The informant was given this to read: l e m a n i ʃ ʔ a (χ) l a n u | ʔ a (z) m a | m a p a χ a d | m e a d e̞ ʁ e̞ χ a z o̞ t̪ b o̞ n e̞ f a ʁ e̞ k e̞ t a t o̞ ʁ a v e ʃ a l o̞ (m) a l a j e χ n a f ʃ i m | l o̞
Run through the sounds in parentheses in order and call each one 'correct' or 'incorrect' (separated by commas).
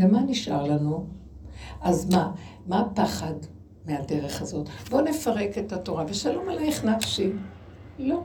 incorrect, correct, correct